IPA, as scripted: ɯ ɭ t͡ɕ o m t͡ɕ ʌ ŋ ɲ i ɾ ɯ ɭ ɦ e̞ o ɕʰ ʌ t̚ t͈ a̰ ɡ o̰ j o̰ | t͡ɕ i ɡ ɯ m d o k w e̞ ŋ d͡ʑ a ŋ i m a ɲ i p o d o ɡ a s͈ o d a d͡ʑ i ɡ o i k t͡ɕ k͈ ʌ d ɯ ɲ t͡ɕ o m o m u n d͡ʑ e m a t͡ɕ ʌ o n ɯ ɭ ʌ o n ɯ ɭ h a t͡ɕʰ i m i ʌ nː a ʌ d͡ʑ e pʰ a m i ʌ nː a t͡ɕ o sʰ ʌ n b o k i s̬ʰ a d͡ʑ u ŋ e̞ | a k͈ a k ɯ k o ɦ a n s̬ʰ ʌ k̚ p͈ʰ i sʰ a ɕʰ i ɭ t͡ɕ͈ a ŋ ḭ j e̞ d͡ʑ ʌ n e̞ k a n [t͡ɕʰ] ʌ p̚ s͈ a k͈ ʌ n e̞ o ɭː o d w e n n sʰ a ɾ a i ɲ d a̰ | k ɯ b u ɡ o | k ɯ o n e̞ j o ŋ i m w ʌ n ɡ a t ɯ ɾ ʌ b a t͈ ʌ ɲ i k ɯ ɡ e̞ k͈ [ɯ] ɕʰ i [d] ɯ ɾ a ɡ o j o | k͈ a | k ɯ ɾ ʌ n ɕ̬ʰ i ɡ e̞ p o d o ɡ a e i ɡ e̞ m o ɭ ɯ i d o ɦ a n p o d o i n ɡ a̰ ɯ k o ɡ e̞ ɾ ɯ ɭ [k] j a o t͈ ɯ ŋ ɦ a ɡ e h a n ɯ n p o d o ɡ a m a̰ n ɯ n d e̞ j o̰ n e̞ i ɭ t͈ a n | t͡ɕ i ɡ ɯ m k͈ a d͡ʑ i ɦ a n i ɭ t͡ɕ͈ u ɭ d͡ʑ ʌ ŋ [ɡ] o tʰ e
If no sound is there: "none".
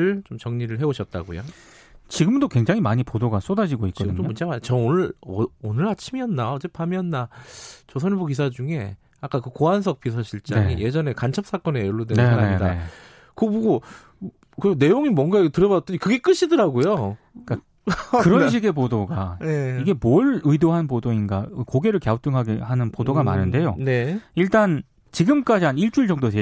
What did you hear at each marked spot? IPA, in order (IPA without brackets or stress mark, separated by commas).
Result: t͡ɕʰ, ɯ, d, k, d